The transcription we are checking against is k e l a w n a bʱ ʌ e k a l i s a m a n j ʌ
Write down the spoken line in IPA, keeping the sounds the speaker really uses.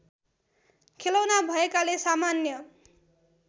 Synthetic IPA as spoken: kʰ e l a w n a bʱ ʌ e k a l e s a m a n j ʌ